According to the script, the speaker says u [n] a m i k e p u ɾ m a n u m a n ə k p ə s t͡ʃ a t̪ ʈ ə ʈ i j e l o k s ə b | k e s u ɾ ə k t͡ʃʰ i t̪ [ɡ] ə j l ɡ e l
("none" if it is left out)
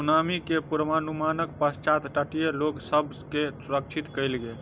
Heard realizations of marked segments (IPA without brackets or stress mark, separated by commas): n, k